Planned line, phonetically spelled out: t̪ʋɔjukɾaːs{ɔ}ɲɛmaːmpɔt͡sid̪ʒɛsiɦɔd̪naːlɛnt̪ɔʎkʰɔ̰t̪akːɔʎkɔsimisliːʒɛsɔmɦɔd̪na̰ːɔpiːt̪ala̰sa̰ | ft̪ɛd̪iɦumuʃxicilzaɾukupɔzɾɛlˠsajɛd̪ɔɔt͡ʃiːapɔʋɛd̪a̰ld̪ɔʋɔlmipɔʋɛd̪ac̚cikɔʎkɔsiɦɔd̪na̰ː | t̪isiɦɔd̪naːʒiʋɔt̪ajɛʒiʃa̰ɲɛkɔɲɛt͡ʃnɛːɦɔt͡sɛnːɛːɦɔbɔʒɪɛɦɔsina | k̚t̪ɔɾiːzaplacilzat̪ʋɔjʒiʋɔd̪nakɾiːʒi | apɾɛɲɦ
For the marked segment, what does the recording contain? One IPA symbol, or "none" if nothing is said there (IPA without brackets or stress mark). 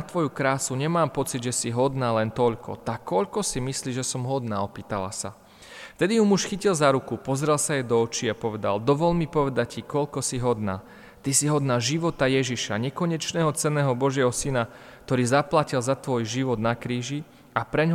u